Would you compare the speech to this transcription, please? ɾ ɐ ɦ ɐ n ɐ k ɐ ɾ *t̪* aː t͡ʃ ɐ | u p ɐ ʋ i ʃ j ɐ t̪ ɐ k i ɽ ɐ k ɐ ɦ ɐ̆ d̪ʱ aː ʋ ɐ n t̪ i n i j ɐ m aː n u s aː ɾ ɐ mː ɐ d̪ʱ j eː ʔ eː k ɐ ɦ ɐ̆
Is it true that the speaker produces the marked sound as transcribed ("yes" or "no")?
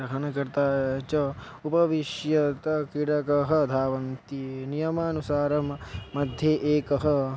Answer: yes